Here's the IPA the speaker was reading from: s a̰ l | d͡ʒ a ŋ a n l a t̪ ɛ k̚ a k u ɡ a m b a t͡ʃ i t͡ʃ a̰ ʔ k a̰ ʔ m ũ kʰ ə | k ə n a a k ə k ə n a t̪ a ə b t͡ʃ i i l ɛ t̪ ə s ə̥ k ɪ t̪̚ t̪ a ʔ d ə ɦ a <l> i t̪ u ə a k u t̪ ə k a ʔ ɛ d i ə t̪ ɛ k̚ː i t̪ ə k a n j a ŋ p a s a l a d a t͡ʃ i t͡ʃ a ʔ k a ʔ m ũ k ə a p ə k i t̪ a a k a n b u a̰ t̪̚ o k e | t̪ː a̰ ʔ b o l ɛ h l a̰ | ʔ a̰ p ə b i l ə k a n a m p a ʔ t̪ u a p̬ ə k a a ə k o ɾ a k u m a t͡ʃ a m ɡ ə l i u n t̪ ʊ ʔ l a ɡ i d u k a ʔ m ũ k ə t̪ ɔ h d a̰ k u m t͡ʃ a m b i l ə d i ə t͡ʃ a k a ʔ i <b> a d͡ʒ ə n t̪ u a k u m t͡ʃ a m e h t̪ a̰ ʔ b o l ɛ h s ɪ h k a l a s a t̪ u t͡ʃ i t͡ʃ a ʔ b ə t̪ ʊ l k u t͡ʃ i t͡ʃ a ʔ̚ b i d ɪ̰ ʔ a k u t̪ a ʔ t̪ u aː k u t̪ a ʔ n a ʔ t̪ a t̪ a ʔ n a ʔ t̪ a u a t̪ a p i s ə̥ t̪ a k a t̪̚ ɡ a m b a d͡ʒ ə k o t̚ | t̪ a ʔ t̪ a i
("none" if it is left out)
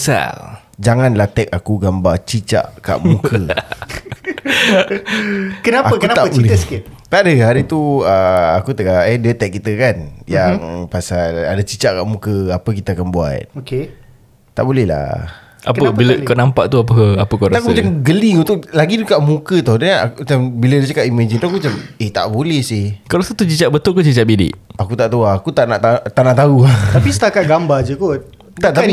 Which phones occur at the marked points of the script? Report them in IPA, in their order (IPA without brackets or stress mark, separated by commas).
ɾ, m